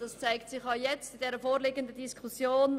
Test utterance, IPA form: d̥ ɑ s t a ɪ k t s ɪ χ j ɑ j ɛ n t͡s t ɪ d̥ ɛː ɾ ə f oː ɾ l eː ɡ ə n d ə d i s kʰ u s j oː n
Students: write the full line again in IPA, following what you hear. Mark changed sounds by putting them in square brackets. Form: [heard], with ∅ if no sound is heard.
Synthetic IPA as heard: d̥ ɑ s [t͡s] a ɪ k t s ɪ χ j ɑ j ɛ [∅] t͡s t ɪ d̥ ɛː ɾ ə f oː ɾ l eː ɡ ə n d ə d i s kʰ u s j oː n